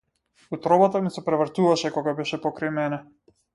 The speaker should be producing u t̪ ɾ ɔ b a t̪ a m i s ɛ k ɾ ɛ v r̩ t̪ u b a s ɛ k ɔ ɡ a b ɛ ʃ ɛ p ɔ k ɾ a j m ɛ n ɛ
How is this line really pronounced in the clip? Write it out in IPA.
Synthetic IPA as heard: u t̪ ɾ ɔ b a t̪ a m i s ɛ p ɾ ɛ v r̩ t̪ u v a ʃ ɛ k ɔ ɡ a b ɛ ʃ ɛ p ɔ k ɾ a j m ɛ n ɛ

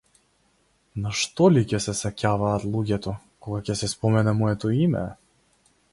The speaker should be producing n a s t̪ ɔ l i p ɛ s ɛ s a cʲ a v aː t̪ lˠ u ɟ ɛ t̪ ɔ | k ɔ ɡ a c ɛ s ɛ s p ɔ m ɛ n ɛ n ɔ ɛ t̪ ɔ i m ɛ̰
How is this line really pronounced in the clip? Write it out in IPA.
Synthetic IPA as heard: n a ʃ t̪ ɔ l i c ɛ s ɛ s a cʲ a v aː t̪ lˠ u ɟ ɛ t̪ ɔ | k ɔ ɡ a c ɛ s ɛ s p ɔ m ɛ n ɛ m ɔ ɛ t̪ ɔ i m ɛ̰

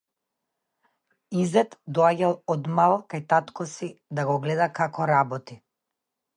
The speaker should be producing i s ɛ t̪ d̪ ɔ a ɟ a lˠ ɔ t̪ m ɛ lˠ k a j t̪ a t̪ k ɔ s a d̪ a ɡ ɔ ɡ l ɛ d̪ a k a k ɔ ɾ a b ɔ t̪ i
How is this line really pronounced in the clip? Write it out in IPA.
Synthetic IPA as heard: i z ɛ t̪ d̪ ɔ a ɟ a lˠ ɔ d̪ m a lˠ k a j t̪ a t̪ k ɔ s i d̪ a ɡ ɔ ɡ l ɛ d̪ a k a k ɔ ɾ a b ɔ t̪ i

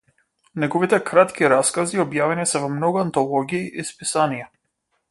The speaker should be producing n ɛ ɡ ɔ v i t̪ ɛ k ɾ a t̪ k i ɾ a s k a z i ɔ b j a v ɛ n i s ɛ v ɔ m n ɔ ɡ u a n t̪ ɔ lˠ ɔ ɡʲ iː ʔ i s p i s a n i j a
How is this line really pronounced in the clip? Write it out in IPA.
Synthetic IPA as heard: n ɛ ɡ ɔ v i t̪ ɛ k ɾ a t̪ k i ɾ a s k a z i ɔ b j a v ɛ n i s ɛ v ɔ m n ɔ ɡ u a n t̪ ɔ lˠ ɔ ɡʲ iː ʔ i s p i s a n i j a

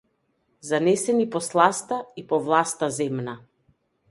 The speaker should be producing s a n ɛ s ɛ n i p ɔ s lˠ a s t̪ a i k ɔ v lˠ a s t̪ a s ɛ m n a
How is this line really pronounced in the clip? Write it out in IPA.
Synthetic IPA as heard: z a n ɛ s ɛ n i p ɔ s lˠ a s t̪ a i p ɔ v lˠ a s t̪ a z ɛ m n a

